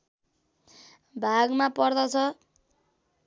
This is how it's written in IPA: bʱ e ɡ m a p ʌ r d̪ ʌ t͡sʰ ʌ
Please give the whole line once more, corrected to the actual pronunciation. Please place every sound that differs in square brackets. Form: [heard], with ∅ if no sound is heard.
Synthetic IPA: bʱ [a] ɡ m a p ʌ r d̪ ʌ t͡sʰ ʌ